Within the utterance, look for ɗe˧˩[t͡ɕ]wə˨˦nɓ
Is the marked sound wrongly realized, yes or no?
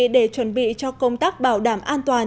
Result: no